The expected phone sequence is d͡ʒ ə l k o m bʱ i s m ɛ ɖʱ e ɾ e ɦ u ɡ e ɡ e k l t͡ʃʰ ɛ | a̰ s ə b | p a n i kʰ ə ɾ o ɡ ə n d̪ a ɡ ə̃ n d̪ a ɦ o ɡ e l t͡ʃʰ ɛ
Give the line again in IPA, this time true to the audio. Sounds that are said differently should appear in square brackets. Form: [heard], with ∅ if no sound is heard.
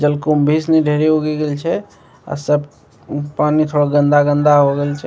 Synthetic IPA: d͡ʒ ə l k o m bʱ i s [n] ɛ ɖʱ e ɾ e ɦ [o] ɡ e ɡ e [∅] l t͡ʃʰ ɛ | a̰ s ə b | p a n i kʰ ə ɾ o ɡ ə n d̪ a ɡ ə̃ n d̪ a ɦ o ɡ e l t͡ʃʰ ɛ